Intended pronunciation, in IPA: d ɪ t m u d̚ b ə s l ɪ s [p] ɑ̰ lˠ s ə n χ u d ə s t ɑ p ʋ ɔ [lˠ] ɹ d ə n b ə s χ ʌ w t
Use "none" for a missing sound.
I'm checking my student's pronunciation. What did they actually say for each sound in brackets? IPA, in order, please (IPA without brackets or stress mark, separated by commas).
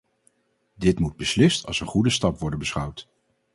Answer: t, none